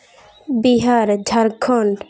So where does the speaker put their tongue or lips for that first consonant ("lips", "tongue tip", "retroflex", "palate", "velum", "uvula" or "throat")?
lips